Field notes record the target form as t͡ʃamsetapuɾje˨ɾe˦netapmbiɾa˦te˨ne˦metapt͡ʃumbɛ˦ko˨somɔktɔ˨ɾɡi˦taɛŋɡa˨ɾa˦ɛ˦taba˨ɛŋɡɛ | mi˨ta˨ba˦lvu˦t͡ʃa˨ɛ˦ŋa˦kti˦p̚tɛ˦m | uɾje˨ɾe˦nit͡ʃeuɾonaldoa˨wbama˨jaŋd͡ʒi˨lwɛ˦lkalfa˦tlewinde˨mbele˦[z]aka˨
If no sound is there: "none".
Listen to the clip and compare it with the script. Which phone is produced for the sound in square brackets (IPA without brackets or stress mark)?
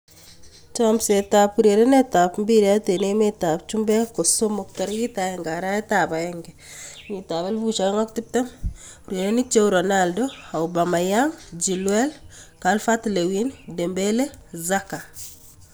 z